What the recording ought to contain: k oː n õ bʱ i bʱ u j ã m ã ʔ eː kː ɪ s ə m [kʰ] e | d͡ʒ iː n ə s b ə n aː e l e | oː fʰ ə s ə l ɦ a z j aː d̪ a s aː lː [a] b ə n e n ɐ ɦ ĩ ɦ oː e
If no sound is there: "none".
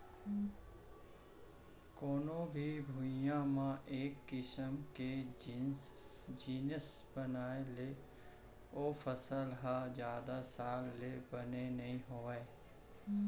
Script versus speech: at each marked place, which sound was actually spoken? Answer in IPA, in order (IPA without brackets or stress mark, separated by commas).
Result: k, e